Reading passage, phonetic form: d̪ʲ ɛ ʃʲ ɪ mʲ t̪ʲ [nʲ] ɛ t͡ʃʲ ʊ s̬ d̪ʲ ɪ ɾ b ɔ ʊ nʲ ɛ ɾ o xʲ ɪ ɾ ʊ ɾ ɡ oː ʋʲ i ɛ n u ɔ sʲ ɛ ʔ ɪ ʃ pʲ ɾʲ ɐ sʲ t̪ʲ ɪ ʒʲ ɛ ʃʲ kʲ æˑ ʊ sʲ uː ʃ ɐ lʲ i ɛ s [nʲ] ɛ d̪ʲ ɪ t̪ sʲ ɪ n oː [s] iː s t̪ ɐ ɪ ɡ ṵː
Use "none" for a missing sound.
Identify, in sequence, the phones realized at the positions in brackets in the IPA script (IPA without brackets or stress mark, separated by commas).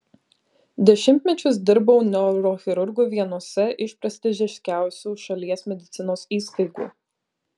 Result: mʲ, mʲ, s